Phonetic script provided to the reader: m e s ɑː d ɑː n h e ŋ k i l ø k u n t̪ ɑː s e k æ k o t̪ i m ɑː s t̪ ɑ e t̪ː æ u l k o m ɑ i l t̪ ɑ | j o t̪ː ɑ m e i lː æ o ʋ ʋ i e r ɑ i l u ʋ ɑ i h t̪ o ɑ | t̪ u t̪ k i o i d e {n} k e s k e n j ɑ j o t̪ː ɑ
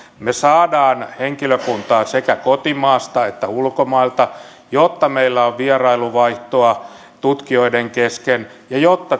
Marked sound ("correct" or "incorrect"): incorrect